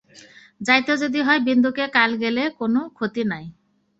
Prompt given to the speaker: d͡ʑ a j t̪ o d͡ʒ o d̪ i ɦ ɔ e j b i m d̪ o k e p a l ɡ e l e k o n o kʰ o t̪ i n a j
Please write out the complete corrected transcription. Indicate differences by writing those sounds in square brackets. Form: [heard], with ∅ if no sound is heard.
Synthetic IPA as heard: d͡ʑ a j t̪ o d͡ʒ o d̪ i ɦ ɔ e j b i [n] d̪ [u] k e [k] a l ɡ e l e k o n o kʰ o t̪ i n a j